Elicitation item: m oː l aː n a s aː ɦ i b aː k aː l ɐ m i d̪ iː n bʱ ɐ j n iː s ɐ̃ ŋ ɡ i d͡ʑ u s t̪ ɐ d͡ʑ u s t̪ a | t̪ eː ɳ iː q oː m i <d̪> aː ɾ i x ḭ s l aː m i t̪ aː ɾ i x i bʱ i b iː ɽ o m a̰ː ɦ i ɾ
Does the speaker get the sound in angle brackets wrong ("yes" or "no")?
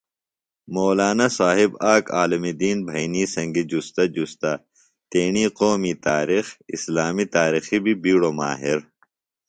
yes